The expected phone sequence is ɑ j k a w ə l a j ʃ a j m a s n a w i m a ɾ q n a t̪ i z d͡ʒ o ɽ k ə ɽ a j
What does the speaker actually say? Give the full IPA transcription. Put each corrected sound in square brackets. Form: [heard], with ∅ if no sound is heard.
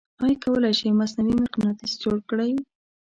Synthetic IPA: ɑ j k a w ə l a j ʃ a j m a s n a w i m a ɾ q n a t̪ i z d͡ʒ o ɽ k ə ɽ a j